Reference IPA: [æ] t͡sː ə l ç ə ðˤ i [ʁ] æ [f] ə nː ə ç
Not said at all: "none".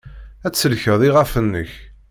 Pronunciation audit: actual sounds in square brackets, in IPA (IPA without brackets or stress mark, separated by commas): æ, ʁ, f